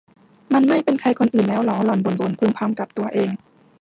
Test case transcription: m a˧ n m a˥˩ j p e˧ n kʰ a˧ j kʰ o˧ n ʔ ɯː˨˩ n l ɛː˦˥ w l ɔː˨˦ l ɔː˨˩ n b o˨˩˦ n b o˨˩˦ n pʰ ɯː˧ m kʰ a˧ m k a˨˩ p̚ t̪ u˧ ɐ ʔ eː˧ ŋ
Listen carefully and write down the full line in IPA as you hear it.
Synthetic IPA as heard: m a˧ n m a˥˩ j p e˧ n kʰ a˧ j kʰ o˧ n ʔ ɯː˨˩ n l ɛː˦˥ w l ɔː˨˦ l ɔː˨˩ n b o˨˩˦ n b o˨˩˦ n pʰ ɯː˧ m pʰ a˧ m k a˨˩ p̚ t̪ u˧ ɐ ʔ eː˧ ŋ

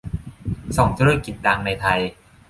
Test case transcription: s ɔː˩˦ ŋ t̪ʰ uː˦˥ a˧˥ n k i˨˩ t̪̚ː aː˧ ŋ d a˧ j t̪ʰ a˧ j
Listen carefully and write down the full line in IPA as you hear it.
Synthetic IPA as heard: s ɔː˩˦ ŋ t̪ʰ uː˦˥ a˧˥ k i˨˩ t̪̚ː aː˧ ŋ n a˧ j t̪ʰ a˧ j

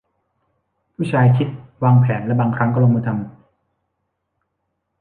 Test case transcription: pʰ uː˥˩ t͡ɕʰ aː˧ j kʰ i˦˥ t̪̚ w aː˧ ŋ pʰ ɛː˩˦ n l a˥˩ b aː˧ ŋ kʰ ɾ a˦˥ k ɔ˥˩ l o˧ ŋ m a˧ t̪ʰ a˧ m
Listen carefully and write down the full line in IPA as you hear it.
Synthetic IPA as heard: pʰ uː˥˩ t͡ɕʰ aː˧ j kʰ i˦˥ t̪̚ w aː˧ ŋ pʰ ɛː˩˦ n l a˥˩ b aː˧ ŋ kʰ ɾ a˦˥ k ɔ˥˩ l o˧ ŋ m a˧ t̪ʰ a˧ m

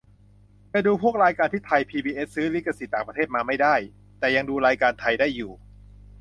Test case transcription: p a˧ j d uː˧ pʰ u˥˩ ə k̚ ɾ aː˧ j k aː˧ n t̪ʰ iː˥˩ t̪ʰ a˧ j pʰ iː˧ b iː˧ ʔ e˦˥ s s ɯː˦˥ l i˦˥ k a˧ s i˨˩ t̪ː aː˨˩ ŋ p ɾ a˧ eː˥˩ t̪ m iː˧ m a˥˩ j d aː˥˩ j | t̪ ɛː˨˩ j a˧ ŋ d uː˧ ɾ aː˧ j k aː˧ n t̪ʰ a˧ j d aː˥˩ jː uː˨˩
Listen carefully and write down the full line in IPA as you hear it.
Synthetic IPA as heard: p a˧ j d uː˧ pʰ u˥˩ ə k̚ ɾ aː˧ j k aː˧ n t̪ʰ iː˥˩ t̪ʰ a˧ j pʰ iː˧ b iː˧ ʔ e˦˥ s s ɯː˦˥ l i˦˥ k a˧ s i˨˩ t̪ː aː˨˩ ŋ p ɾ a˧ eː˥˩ t̪ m aː˧ m a˥˩ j d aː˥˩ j | t̪ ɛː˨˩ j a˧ ŋ d uː˧ ɾ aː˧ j k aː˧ n t̪ʰ a˧ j d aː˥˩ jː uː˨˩

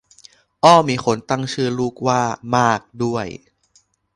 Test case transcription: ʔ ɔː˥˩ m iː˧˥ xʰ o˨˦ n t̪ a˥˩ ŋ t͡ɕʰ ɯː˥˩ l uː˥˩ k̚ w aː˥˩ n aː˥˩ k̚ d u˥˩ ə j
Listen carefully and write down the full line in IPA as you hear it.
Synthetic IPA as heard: ʔ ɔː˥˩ m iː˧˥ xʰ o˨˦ n t̪ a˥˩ ŋ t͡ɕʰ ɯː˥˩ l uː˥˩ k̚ w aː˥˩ m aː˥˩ k̚ d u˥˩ ə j

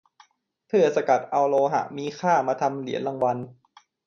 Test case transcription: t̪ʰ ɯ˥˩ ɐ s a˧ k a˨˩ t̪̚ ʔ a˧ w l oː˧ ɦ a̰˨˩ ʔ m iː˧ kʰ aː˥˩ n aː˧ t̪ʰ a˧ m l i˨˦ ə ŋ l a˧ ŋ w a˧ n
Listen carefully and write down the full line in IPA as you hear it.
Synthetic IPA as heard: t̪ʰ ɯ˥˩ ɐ s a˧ k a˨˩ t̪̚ ʔ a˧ w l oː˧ ɦ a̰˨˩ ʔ m iː˧ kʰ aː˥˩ m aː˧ t̪ʰ a˧ m l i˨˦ ə n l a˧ ŋ w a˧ n

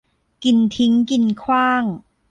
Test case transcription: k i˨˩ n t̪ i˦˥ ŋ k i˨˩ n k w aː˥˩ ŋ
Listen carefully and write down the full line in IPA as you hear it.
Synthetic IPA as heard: k i˨˩ n t̪ʰ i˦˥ ŋ k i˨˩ n kʰ w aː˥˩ ŋ

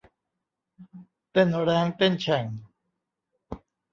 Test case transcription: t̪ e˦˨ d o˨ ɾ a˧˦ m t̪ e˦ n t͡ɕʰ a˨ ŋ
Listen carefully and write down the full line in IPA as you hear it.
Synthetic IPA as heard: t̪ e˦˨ n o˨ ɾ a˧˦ ŋ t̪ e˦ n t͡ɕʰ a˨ ŋ

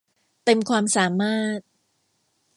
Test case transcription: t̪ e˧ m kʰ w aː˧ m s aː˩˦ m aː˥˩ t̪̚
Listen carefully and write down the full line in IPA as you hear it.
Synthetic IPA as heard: t̪ e˧ m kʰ w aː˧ m s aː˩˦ m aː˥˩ t̪̚

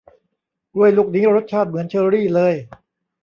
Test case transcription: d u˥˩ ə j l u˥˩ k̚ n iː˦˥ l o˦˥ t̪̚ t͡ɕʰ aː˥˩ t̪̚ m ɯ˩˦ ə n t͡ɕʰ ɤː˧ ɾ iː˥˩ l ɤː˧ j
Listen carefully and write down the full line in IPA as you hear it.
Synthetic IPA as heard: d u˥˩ ə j l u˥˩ k̚ n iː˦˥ ɾ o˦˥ t̪̚ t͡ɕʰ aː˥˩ t̪̚ m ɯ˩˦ ə n t͡ɕʰ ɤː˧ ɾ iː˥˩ l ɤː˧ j

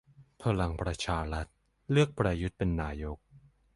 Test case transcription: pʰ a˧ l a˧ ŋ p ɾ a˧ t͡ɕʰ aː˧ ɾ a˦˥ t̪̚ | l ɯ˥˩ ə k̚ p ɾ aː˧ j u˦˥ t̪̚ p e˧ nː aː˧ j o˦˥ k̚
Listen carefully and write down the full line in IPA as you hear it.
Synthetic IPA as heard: pʰ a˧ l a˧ ŋ p ɾ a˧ t͡ɕʰ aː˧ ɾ a˦˥ t̪̚ | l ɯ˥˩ ə k̚ p ɾ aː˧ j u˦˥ t̪̚ p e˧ nː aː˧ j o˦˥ k̚

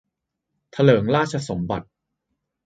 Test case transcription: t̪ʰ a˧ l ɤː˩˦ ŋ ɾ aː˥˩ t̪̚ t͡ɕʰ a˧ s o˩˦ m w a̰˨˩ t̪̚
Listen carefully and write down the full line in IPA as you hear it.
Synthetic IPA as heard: t̪ʰ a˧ l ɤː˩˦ ŋ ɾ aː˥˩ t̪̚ t͡ɕʰ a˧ s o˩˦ m b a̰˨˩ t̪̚

